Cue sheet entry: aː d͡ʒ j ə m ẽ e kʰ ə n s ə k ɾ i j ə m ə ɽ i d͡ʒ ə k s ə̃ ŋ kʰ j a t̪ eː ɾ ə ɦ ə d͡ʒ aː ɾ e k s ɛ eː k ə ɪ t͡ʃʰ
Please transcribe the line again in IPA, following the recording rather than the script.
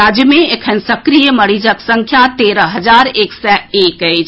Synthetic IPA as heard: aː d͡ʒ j ə m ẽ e kʰ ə n s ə k ɾ i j ə m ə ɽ i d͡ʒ ə k s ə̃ ŋ kʰ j a t̪ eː ɾ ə ɦ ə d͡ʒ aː ɾ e k s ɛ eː k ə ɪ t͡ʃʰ